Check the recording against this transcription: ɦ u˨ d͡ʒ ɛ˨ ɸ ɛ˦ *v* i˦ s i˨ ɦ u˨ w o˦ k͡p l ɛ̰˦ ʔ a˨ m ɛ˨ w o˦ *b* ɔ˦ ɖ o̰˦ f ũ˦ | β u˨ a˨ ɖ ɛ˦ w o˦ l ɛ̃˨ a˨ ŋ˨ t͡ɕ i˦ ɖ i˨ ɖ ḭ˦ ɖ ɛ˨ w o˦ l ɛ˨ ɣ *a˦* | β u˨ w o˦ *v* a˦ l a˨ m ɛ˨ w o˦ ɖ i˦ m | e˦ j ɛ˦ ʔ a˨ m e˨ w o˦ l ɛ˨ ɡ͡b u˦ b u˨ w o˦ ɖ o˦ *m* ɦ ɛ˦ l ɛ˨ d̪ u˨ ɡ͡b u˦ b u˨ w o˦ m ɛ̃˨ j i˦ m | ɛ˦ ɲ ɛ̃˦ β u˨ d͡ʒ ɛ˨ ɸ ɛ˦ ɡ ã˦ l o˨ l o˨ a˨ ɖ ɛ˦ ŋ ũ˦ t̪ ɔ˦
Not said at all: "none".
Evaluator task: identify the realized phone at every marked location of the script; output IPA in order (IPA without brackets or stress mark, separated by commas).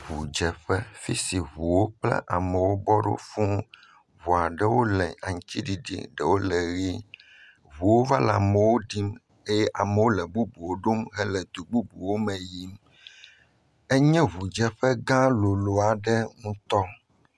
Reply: f, b, i˦, v, m